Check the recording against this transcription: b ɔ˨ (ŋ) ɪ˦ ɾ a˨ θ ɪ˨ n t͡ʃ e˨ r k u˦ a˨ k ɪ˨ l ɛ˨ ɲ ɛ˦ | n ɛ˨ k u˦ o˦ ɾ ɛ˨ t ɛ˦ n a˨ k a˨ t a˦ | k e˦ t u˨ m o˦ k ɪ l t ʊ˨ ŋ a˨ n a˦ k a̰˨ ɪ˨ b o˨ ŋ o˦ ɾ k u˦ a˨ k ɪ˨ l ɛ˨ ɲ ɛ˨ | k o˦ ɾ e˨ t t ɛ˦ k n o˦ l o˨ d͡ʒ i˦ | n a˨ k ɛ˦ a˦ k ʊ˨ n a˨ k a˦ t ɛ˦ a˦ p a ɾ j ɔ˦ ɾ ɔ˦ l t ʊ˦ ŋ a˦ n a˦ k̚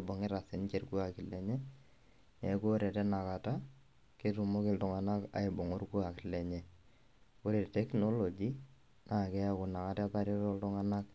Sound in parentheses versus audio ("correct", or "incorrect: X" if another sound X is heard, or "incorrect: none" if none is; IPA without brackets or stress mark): correct